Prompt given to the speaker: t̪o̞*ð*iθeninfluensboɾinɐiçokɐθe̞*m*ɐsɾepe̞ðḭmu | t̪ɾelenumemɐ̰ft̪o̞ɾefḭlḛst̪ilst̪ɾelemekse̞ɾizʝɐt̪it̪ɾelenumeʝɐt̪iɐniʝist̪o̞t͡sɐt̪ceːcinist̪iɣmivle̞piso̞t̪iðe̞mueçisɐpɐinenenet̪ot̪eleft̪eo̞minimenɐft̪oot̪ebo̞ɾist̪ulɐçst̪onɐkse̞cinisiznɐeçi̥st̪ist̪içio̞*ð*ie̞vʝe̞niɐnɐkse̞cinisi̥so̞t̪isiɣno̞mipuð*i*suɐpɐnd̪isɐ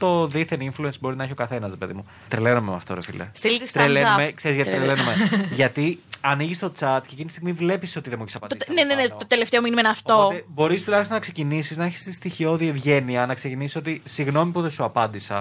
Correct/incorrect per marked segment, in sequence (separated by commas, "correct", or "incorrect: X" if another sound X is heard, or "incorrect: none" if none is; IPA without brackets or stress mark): correct, incorrect: n, correct, incorrect: e